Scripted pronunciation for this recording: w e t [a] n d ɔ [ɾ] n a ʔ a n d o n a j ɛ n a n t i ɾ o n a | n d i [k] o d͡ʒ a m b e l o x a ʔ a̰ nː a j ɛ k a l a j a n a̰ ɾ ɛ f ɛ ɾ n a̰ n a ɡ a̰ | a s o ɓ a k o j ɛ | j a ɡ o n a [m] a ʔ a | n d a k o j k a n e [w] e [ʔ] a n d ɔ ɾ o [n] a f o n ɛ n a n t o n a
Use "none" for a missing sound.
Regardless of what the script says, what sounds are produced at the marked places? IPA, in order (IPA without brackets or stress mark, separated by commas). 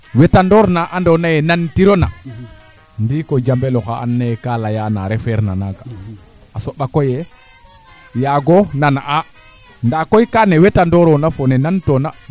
a, ɾ, k, n, w, t, n